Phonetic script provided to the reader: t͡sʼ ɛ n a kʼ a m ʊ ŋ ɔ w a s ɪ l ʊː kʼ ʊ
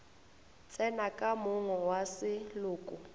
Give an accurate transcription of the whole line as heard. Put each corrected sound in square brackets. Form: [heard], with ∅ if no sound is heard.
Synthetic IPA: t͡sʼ ɛ n a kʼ a m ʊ ŋ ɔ w a s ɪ l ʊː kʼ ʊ